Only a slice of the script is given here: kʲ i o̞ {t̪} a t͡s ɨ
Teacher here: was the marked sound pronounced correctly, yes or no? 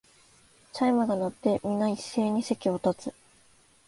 yes